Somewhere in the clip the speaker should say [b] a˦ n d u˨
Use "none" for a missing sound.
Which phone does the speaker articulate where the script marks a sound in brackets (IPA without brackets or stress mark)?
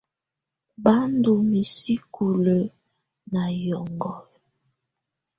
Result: b